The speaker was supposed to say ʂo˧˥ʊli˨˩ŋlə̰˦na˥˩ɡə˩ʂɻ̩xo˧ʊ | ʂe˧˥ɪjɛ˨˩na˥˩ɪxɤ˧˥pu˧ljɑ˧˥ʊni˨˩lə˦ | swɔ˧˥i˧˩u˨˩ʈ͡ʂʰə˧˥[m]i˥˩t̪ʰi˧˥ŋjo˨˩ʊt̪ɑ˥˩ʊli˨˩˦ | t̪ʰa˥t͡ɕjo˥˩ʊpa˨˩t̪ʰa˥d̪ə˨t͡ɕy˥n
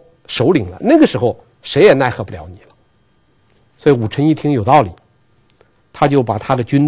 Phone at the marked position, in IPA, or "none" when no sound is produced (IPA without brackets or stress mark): ŋ